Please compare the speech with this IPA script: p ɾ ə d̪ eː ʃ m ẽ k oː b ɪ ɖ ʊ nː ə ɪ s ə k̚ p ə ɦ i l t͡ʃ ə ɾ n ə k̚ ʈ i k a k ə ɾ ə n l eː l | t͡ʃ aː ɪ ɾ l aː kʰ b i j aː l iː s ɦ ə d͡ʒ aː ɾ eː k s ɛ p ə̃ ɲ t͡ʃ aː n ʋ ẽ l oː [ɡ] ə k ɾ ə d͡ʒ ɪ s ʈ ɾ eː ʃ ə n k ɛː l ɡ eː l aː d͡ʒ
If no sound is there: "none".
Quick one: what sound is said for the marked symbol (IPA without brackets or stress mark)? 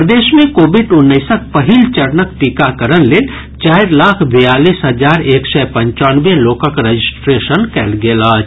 k